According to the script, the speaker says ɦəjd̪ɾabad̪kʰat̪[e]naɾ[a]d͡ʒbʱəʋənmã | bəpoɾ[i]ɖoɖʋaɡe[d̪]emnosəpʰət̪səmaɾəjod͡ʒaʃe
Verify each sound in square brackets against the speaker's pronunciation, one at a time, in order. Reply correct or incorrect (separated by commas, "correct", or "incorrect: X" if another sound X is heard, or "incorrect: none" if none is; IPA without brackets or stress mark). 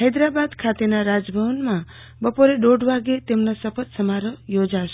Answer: correct, correct, incorrect: e, incorrect: t̪